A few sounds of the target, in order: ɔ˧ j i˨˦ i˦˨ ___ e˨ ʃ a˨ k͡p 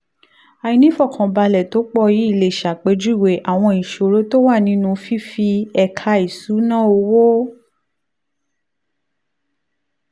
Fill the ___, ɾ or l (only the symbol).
l